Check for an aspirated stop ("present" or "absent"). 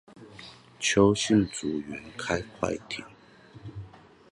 present